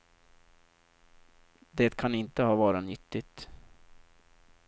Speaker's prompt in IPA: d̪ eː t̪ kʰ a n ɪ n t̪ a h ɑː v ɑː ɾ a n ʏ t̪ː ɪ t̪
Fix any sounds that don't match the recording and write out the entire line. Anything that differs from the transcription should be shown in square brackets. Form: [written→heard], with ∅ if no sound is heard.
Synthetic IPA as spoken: d̪ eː t̪ kʰ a n ɪ n t̪ [a→ə] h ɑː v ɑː ɾ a n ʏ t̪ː ɪ t̪